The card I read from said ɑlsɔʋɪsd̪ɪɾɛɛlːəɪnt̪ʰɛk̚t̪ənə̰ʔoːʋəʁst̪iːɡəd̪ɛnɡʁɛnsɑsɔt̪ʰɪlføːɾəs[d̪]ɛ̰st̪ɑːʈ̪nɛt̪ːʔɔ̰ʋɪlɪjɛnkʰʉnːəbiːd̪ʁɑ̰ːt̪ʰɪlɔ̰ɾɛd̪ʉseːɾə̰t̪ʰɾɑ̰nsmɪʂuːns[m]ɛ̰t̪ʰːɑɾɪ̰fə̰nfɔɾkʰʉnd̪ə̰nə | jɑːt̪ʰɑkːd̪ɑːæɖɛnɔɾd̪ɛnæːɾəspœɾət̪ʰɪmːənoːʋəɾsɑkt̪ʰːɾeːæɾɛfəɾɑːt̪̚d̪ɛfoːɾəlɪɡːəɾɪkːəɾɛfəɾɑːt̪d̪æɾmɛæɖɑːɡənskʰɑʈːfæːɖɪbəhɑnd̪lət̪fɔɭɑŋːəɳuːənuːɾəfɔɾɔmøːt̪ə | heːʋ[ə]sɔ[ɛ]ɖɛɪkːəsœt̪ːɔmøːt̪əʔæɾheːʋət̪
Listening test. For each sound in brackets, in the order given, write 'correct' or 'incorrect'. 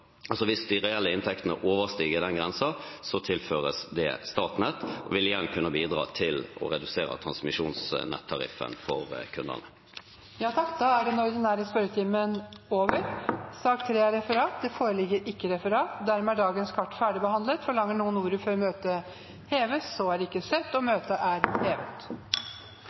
correct, incorrect: n, correct, incorrect: æ

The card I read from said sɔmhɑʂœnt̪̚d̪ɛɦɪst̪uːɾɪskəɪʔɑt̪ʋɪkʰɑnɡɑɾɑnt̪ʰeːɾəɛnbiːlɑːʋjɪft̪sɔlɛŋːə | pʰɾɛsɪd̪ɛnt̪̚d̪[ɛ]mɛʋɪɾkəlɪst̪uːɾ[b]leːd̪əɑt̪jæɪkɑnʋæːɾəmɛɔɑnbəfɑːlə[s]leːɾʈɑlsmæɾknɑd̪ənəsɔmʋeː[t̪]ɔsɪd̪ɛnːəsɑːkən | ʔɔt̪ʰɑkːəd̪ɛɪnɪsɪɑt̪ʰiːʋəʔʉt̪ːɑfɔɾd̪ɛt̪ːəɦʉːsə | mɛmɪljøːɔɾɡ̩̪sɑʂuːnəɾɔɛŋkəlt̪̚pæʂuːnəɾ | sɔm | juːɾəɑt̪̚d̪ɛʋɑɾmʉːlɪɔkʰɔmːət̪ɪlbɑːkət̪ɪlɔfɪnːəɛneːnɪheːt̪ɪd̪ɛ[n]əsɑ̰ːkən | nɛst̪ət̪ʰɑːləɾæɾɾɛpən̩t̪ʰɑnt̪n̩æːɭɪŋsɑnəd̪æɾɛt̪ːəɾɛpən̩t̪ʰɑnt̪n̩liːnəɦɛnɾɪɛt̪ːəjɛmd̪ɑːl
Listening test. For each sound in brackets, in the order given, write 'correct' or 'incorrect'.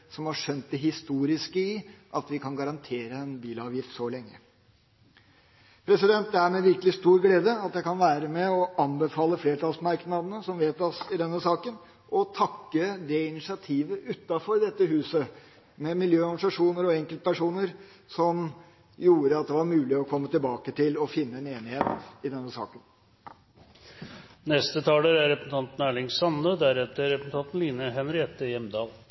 incorrect: æ, incorrect: ɡ, incorrect: f, correct, incorrect: nː

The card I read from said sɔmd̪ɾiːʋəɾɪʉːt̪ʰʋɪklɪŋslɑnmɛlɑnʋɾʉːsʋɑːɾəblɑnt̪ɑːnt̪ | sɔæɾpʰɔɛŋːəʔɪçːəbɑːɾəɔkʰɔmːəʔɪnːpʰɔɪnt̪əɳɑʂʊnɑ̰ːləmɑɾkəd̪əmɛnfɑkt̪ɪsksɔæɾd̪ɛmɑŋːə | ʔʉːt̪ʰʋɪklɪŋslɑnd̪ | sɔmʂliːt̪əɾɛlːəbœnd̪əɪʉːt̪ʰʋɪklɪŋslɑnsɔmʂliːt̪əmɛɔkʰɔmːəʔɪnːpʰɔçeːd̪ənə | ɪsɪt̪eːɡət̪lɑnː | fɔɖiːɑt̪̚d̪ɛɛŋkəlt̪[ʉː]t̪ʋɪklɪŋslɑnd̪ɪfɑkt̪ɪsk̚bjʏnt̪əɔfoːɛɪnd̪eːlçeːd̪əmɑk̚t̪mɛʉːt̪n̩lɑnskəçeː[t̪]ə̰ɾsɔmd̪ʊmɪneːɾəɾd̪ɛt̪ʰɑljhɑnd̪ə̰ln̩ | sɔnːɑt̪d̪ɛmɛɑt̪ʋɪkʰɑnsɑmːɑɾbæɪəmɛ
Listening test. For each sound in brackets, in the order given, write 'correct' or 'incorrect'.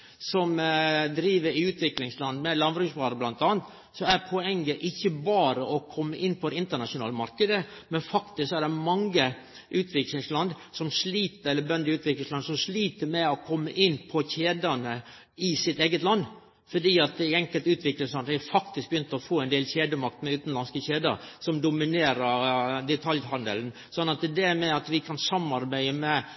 correct, incorrect: d̪

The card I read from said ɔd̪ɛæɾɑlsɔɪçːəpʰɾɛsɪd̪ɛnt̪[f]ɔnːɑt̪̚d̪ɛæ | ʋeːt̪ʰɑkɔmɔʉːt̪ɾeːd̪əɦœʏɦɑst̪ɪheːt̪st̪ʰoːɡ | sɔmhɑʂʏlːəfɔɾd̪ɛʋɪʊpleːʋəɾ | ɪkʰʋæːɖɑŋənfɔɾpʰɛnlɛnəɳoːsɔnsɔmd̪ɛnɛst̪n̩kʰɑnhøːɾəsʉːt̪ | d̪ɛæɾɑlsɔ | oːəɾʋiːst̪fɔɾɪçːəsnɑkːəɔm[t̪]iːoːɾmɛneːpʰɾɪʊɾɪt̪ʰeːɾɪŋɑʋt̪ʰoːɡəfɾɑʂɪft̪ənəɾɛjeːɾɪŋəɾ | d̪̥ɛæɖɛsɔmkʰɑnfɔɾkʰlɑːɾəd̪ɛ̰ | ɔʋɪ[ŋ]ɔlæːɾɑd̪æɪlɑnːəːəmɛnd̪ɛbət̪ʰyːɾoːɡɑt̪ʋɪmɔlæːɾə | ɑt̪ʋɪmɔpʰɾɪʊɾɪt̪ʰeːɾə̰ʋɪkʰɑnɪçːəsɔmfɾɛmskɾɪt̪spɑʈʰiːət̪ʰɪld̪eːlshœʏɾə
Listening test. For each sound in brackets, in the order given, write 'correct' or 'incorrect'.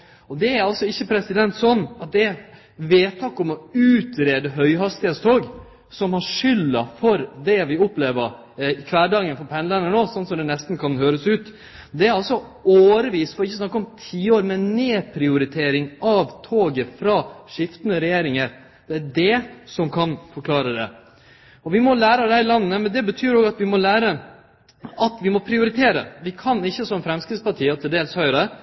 incorrect: s, incorrect: t̪ʰ, incorrect: m

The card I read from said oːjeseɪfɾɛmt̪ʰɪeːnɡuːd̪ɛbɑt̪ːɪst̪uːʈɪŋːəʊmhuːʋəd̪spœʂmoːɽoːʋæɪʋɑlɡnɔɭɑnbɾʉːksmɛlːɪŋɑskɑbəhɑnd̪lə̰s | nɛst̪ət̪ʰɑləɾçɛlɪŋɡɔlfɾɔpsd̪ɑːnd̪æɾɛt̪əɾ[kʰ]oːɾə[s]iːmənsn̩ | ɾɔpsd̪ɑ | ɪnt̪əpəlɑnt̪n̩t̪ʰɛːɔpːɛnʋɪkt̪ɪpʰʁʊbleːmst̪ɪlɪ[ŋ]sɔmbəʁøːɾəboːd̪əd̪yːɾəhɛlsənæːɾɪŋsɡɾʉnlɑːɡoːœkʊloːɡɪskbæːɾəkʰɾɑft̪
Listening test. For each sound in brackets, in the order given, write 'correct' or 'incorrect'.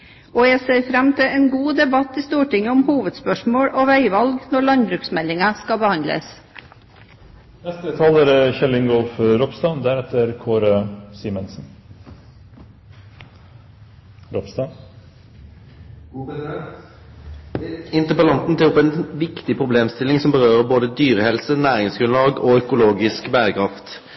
correct, correct, correct

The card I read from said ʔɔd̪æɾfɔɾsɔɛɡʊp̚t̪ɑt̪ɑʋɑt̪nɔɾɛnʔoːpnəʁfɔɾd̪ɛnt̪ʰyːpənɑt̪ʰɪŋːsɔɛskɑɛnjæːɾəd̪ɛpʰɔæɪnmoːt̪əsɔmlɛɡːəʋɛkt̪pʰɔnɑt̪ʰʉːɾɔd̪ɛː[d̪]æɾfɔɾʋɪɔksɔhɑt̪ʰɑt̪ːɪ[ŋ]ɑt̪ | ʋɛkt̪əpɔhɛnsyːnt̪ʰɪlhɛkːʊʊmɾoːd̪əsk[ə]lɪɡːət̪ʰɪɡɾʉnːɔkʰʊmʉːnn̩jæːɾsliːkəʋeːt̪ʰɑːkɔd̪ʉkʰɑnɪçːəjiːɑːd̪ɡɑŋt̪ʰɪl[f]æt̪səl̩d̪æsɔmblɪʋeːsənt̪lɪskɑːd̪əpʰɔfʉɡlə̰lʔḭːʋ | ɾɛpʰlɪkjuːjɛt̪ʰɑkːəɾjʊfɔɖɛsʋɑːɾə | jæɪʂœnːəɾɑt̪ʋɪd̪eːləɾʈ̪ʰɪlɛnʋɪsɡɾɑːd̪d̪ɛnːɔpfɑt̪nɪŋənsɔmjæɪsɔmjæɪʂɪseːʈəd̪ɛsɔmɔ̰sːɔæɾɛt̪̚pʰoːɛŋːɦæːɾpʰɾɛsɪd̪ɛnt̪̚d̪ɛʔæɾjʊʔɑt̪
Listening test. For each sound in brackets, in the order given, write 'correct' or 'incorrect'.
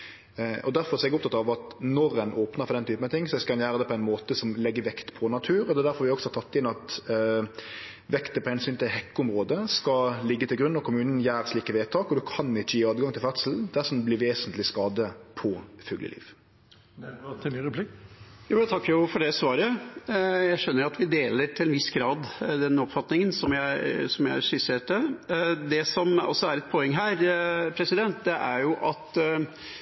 correct, incorrect: n, incorrect: ɑ, correct

